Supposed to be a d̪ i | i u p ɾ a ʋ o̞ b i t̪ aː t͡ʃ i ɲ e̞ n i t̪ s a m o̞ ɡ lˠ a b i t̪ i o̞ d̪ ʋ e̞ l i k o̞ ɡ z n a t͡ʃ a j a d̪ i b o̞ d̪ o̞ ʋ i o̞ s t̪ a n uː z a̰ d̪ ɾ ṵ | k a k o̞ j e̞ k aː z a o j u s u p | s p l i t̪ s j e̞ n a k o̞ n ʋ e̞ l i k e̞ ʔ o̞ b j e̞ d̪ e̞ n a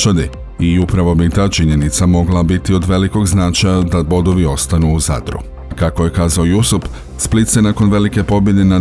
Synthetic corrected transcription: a d̪ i | i u p ɾ a ʋ o̞ b i t̪ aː t͡ʃ i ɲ e̞ n i t̪ s a m o̞ ɡ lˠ a b i t̪ i o̞ d̪ ʋ e̞ l i k o̞ ɡ z n a t͡ʃ a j a d̪ a b o̞ d̪ o̞ ʋ i o̞ s t̪ a n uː z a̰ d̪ ɾ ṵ | k a k o̞ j e̞ k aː z a o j u s u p | s p l i t̪ s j e̞ n a k o̞ n ʋ e̞ l i k e̞ p o̞ b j e̞ d̪ e̞ n a